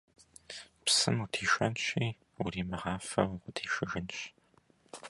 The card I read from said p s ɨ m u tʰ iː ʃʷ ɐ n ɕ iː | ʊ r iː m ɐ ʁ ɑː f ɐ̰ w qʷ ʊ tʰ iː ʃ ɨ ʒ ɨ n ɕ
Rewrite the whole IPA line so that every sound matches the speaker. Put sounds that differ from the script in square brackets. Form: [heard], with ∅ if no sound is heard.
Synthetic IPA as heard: p s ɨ m u tʰ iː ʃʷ ɐ n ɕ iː | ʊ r iː m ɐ ʁ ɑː f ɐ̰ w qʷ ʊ tʰ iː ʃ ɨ [ɣ] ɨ n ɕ